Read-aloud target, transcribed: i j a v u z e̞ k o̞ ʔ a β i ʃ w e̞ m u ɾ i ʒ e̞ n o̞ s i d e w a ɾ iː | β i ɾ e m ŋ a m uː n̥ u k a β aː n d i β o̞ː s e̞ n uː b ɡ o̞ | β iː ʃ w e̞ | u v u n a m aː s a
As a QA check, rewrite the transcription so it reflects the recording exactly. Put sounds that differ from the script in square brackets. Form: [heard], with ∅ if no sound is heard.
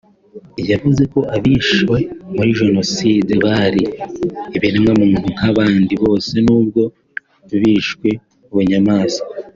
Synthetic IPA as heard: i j a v u z e̞ k o̞ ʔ a β i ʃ w e̞ m u ɾ i ʒ e̞ n o̞ s i d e [β] a ɾ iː | β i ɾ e m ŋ a m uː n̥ u k a β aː n d i β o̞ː s e̞ n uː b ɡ o̞ | β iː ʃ w e̞ | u [β] u [ɲ] a m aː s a